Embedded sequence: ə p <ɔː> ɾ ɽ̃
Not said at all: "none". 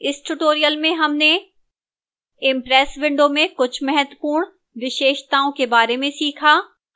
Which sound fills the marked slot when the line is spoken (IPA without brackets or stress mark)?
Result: uː